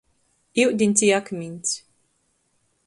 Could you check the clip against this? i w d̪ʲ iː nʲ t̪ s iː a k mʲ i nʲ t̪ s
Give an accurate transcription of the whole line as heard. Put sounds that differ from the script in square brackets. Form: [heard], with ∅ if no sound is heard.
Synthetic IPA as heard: i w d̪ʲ [i] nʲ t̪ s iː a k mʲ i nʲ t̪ s